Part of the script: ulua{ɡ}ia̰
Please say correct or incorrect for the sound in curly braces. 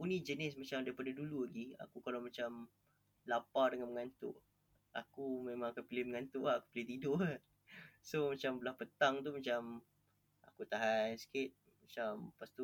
correct